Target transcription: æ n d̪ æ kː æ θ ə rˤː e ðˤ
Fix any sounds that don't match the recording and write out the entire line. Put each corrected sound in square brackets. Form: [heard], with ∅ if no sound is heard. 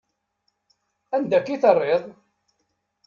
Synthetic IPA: æ n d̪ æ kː [i] θ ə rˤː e ðˤ